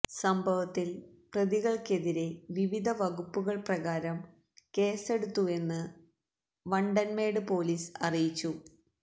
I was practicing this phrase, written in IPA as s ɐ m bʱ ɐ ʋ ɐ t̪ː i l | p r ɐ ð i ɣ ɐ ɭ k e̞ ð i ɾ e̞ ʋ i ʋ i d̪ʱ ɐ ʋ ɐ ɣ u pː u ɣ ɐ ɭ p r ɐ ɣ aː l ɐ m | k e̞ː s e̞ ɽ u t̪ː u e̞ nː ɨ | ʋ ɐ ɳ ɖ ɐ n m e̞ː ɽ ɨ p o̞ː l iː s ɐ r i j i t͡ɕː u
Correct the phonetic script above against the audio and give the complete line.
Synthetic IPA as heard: s ɐ m bʱ ɐ ʋ ɐ t̪ː i l | p r ɐ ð i ɣ ɐ ɭ k e̞ ð i ɾ e̞ ʋ i ʋ i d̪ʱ ɐ ʋ ɐ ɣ u pː u ɣ ɐ ɭ p r ɐ ɣ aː ɾ ɐ m | k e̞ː s e̞ ɽ u t̪ː u e̞ nː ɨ | ʋ ɐ ɳ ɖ ɐ n m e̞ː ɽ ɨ p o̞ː l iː s ɐ r i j i t͡ɕː u